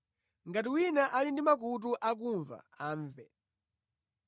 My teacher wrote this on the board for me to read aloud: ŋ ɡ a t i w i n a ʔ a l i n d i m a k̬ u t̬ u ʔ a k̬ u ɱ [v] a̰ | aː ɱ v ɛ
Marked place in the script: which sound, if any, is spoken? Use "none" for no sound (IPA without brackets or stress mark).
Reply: v